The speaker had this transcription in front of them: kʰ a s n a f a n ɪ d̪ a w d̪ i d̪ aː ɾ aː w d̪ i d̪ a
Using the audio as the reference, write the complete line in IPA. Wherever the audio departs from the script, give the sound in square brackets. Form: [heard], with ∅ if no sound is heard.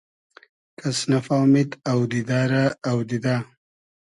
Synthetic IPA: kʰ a s n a f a [m] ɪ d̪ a w d̪ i d̪ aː ɾ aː w d̪ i d̪ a